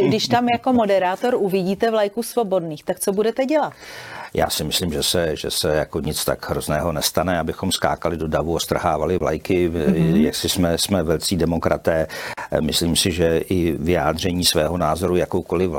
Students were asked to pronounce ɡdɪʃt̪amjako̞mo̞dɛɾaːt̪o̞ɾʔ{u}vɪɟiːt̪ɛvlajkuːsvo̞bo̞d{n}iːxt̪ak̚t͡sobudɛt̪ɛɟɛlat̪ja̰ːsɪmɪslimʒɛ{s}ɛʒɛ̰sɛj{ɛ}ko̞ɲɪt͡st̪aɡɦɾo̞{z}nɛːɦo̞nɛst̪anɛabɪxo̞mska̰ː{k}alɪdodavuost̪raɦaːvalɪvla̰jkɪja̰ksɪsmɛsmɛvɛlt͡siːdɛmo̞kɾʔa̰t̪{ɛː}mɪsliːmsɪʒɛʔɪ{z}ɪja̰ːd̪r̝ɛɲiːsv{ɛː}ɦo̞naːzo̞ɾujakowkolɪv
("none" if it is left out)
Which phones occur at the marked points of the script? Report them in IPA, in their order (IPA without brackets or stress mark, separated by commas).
u, n, s, a, z, k, ɛː, v, ɛː